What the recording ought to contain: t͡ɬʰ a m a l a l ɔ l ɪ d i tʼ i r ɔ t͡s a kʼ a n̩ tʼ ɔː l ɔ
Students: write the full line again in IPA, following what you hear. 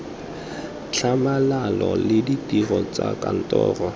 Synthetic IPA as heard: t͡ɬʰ a m a l a l ɔ l ɪ d i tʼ i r ɔ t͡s a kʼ a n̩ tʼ ɔː r ɔ

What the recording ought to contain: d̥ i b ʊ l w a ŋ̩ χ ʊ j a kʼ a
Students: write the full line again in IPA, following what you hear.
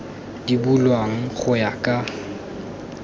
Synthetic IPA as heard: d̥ i b u l w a ŋ̩ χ ʊ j a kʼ a

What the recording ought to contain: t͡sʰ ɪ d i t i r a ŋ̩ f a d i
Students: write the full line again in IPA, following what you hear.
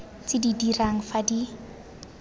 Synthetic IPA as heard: t͡s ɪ d i d i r a ŋ̩ f a d i

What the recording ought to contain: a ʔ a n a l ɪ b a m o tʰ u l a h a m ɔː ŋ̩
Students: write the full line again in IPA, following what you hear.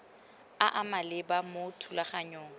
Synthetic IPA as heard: a ʔ a m a l ɪ b a m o tʰ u l a χ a ɲ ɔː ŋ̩

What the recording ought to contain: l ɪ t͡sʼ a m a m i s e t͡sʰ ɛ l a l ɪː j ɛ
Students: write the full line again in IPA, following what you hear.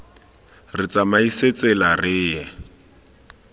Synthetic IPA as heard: r ɪ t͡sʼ a m a i s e t͡s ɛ l a r ɪː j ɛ

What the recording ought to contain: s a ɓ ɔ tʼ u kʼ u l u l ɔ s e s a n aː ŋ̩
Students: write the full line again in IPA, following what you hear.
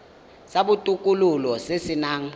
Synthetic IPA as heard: s a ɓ u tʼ u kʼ u l u l ɔ s e s i n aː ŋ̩

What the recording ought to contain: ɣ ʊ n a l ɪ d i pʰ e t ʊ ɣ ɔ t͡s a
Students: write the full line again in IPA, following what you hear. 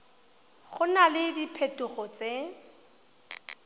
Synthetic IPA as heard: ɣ ʊ n a l ɪ d i pʰ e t ʊ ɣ ɔ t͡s e

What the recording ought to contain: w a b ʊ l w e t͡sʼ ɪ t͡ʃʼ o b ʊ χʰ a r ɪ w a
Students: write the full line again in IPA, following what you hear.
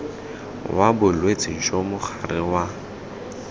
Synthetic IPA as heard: w a b ʊ l w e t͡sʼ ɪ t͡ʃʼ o m ʊ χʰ a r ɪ w a

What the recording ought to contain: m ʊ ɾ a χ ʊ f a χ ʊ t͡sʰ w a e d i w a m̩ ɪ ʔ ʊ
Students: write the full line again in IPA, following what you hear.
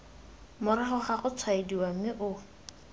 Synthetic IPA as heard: m ʊ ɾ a χ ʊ χ a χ ʊ t͡sʰ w a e d i w a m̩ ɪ ʔ ʊ

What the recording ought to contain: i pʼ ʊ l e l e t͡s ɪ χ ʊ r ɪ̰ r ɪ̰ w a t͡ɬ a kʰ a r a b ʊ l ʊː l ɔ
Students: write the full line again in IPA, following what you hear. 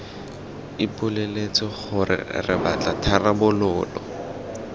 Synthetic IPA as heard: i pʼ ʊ l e l e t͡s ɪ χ ʊ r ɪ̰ r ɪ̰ b a t͡ɬ a tʰ a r a b ʊ l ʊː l ɔ

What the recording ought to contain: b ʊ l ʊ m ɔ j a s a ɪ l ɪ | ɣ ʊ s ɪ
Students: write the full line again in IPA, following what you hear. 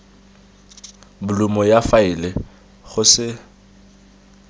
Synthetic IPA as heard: b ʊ l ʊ m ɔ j a f a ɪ l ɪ | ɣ ʊ s ɪ

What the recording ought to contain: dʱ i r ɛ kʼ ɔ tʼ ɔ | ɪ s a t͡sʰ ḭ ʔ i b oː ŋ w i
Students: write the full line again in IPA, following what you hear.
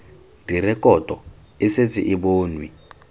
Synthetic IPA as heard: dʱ i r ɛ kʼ ɔ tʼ ɔ | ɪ s e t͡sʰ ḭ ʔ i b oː n w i

